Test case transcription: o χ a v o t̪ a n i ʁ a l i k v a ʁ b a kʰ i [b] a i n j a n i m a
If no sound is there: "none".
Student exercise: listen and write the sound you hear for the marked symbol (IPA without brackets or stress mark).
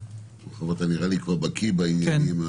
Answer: b